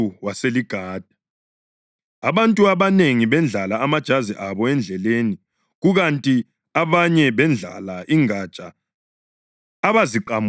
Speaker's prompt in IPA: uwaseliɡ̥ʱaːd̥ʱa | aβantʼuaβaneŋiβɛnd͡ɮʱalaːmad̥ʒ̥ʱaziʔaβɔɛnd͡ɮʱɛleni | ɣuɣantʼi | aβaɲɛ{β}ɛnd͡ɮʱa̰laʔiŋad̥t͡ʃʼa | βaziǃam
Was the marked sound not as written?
no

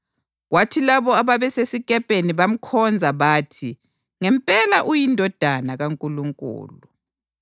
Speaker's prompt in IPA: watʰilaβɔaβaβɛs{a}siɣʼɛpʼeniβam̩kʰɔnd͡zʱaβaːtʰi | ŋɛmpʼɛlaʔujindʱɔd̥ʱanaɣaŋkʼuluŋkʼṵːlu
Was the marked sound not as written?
yes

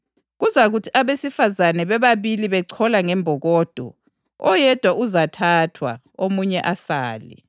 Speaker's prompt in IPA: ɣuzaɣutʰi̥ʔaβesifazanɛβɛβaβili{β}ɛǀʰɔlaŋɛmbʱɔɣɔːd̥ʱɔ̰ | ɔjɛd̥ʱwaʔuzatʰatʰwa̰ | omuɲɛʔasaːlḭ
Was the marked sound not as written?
no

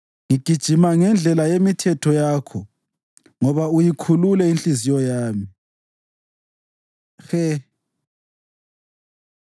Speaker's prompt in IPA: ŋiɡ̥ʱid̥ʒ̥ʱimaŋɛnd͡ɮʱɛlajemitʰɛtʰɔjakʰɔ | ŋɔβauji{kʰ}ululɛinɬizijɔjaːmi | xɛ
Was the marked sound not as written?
no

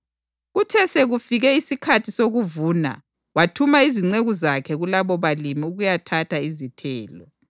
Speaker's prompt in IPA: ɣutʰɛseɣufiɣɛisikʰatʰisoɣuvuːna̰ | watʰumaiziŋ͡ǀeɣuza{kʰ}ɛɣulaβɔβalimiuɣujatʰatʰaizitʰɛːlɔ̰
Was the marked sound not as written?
no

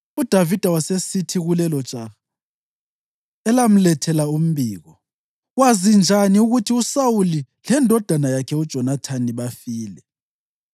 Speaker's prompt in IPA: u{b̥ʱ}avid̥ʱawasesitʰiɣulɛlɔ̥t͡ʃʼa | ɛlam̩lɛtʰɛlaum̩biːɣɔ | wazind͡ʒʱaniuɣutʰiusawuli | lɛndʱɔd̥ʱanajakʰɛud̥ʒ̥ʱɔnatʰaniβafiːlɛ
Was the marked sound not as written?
yes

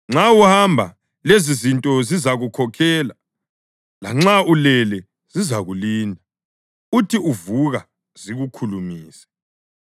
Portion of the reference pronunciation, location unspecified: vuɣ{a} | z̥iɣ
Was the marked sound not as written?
no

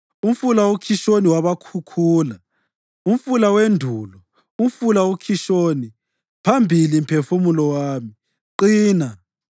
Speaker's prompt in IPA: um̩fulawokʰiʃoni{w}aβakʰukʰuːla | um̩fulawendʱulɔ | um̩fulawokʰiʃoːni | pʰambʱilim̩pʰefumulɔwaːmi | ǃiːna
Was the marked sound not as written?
no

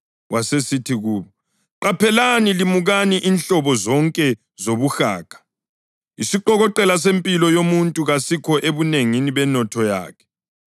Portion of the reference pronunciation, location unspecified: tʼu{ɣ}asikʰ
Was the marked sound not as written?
no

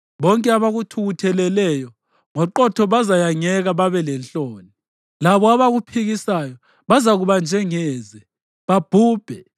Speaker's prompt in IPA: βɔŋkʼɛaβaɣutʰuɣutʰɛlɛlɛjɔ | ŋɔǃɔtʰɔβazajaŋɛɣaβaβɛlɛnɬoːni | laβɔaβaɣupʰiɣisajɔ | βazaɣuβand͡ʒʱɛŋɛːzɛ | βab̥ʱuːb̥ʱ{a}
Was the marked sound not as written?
yes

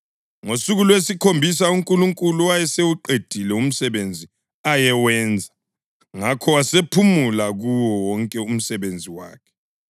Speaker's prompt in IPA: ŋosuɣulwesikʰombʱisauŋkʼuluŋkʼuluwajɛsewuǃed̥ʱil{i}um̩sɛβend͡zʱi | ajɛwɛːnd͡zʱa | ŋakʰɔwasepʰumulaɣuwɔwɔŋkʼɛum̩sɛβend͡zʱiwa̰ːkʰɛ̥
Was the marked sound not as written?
yes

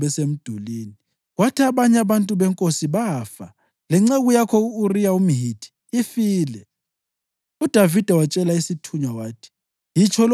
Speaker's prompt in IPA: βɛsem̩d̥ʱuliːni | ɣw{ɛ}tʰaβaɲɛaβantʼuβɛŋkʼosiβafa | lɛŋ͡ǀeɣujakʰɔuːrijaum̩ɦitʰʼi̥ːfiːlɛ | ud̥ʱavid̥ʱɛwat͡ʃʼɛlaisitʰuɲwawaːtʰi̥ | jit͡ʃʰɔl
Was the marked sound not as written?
yes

